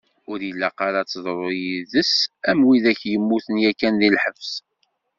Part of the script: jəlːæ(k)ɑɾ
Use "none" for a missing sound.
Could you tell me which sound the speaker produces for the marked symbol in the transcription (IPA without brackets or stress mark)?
q